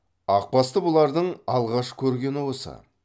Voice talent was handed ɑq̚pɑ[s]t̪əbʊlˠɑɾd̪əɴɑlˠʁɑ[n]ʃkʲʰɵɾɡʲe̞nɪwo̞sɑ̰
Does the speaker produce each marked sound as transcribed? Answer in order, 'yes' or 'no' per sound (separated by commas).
yes, no